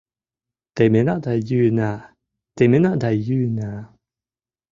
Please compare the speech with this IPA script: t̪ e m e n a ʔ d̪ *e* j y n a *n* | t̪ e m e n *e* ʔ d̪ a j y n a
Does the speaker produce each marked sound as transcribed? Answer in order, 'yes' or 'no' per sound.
no, no, no

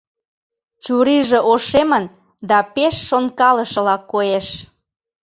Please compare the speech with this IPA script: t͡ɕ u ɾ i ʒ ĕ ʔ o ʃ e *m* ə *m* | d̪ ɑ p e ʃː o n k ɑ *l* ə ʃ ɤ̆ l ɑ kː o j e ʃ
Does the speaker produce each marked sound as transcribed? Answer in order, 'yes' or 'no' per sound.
yes, no, yes

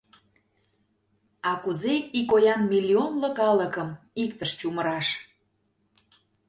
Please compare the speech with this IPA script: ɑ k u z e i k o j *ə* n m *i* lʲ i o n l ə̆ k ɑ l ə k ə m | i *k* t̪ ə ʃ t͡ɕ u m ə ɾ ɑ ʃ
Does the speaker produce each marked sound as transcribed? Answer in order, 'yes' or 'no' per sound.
no, yes, yes

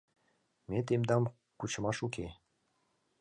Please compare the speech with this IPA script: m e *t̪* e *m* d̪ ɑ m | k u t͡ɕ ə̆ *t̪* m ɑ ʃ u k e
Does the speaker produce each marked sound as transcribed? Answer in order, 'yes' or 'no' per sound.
yes, yes, no

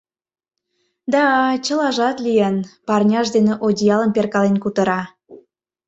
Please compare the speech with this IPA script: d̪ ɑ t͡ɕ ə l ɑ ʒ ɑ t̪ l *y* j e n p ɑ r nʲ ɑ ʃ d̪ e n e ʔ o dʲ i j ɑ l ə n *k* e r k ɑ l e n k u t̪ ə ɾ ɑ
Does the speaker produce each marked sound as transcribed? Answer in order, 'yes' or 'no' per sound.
no, no

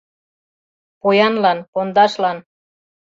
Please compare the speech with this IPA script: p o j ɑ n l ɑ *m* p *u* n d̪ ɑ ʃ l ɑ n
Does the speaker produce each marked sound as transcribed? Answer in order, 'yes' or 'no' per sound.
no, no

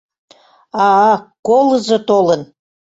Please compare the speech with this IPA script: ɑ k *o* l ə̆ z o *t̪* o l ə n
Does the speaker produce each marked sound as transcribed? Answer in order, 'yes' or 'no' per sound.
yes, yes

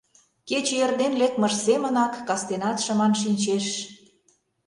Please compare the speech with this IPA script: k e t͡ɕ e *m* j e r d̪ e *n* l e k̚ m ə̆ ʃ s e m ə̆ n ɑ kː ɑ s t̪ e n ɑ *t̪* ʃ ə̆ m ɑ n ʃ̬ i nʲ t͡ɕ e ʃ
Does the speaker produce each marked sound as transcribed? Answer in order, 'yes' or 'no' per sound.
no, yes, yes

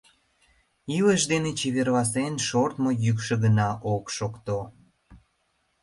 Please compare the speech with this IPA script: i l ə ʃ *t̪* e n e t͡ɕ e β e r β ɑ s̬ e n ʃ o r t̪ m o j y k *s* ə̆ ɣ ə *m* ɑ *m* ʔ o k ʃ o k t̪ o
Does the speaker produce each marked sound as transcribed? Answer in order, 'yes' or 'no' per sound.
no, no, no, no

